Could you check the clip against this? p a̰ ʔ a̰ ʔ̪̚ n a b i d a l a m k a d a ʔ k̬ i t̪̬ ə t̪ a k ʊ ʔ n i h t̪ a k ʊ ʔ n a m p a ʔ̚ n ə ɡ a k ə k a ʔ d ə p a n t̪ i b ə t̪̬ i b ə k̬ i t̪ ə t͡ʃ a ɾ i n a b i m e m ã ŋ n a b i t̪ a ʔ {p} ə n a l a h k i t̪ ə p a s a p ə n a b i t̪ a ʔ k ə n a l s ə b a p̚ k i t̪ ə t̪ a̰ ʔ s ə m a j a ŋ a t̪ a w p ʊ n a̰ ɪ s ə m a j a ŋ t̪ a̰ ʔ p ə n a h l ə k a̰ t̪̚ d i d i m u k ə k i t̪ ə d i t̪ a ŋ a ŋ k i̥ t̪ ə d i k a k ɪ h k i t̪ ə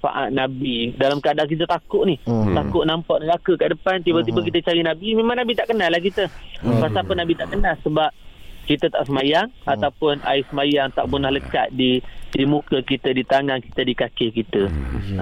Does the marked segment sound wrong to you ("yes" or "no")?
yes